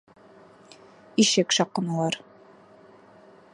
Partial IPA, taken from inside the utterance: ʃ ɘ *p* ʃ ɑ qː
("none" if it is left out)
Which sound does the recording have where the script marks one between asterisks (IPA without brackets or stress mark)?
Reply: k